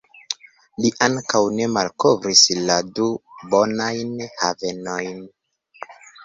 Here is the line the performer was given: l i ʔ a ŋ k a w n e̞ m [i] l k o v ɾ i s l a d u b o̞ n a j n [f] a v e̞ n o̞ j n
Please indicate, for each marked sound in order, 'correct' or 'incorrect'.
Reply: incorrect, incorrect

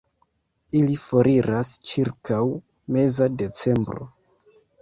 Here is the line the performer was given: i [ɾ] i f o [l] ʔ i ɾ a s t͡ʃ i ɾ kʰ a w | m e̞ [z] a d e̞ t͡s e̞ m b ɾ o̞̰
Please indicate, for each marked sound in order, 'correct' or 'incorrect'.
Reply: incorrect, incorrect, correct

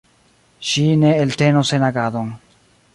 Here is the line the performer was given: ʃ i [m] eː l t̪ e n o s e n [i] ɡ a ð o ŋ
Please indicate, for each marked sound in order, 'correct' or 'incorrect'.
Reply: incorrect, incorrect

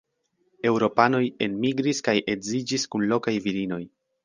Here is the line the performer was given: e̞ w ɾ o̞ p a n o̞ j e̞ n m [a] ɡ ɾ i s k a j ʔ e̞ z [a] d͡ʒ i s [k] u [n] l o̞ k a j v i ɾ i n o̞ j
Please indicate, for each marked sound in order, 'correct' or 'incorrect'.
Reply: incorrect, incorrect, correct, correct

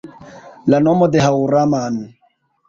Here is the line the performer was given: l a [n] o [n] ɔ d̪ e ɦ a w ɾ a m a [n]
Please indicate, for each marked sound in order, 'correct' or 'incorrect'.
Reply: correct, incorrect, correct

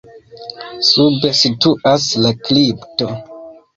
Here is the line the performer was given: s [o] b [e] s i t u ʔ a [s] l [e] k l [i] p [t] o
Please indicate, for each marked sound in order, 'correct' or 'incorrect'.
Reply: incorrect, correct, correct, incorrect, correct, correct

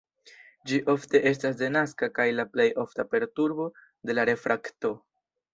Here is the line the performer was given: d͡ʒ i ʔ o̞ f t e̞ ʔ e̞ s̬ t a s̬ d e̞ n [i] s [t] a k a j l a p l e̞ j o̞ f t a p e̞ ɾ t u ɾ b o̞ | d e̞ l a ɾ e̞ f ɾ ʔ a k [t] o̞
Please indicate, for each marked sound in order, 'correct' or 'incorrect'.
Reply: incorrect, incorrect, correct

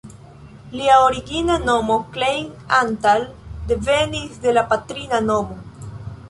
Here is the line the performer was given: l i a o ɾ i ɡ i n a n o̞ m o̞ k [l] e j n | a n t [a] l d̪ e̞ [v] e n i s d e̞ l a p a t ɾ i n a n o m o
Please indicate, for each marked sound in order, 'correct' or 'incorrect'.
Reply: correct, correct, correct

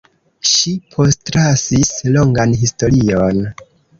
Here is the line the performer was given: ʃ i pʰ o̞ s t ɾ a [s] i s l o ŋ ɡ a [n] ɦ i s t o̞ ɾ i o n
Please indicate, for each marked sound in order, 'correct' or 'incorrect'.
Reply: correct, correct

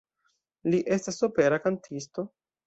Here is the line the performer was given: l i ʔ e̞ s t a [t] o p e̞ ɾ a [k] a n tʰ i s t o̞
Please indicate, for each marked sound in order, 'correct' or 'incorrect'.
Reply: incorrect, correct

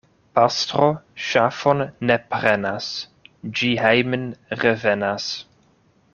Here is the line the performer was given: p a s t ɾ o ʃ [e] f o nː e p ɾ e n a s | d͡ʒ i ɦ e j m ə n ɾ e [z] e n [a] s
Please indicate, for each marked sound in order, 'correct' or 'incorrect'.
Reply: incorrect, incorrect, correct

